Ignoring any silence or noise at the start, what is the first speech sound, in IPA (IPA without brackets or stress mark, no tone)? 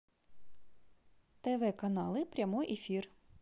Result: t̪